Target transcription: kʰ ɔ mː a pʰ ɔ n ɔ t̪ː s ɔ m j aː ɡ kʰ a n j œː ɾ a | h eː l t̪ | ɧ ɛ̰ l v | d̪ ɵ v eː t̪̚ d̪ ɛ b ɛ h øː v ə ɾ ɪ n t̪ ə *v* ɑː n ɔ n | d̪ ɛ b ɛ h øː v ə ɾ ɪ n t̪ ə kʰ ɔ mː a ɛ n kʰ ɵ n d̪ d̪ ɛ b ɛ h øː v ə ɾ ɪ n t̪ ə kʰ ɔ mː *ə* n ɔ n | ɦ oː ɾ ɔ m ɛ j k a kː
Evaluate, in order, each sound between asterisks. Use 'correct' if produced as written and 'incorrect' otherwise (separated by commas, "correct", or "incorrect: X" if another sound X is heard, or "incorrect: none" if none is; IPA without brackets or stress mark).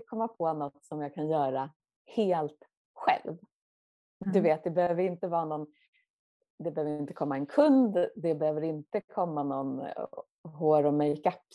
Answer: correct, incorrect: a